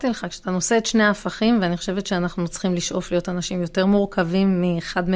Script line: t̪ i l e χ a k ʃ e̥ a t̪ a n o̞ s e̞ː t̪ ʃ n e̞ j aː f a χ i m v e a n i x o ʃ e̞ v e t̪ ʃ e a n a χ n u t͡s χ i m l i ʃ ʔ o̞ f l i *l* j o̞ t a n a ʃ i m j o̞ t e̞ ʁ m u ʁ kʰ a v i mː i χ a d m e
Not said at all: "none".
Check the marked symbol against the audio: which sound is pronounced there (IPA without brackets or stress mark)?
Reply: none